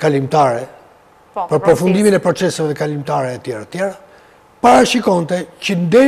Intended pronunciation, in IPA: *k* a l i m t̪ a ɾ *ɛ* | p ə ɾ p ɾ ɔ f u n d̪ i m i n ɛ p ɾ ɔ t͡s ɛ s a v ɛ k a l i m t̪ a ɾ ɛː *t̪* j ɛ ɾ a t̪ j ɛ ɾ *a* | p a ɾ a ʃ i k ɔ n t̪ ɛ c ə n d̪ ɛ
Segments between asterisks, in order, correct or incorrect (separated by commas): correct, correct, correct, correct